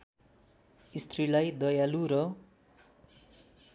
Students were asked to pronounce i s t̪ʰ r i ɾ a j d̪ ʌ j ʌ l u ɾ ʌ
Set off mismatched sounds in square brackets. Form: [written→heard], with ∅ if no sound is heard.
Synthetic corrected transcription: i s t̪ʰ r i [ɾ→l] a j d̪ ʌ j [ʌ→a] l u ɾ ʌ